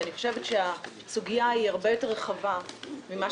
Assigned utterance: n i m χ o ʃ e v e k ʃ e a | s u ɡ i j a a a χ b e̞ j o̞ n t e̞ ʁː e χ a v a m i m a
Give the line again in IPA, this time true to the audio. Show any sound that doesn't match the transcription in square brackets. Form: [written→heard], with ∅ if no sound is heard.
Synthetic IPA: n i [m→∅] χ o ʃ e v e [k→t] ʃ e a | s u ɡ i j a [a→i] a [χ→ʁ] b e̞ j o̞ [n→∅] t e̞ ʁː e χ a v a m i m a